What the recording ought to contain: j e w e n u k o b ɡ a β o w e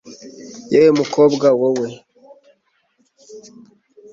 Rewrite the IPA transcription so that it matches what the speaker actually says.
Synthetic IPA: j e w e m u k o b ɡ a w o w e